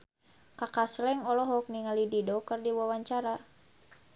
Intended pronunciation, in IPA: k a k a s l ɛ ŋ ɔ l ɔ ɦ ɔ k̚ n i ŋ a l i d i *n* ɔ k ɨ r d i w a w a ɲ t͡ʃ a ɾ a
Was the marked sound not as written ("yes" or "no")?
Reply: yes